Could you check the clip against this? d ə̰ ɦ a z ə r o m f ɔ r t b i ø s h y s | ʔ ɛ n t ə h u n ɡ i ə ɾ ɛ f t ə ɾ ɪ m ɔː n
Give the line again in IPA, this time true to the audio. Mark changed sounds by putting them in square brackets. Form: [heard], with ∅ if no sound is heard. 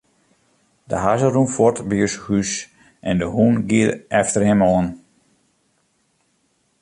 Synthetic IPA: d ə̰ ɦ a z ə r [u] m f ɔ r t b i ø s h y s | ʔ ɛ n [d] ə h u n ɡ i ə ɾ ɛ f t ə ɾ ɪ m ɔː n